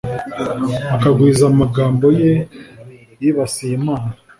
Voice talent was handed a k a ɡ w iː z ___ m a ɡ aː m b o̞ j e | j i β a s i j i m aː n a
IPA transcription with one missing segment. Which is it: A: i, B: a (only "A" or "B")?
B